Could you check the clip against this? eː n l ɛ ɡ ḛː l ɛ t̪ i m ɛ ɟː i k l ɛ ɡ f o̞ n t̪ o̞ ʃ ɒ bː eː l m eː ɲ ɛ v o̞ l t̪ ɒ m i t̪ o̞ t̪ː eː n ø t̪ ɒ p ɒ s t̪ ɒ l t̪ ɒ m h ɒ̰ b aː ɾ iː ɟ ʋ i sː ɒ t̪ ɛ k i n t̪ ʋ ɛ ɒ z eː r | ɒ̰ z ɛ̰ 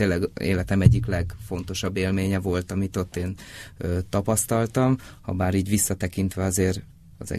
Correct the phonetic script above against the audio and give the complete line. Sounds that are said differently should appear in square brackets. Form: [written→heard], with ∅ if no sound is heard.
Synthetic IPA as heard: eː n l ɛ ɡ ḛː l ɛ t̪ [i→ɛ] m ɛ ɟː i k l ɛ ɡ f o̞ n t̪ o̞ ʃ ɒ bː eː l m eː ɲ ɛ v o̞ l t̪ ɒ m i t̪ o̞ t̪ː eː n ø t̪ ɒ p ɒ s t̪ ɒ l t̪ ɒ m h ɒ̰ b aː ɾ iː ɟ ʋ i sː ɒ t̪ ɛ k i n t̪ ʋ ɛ ɒ z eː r | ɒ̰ z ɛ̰